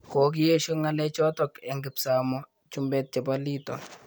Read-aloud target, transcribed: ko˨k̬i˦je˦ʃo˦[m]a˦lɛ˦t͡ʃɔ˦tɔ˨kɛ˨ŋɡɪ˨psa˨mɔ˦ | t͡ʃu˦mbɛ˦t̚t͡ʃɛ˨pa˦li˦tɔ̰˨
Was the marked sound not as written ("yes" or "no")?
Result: yes